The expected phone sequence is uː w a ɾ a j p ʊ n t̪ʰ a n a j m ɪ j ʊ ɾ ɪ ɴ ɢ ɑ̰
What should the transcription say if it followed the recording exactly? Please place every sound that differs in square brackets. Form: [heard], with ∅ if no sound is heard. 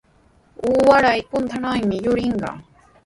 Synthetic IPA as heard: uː w a ɾ a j p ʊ n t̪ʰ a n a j m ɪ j ʊ ɾ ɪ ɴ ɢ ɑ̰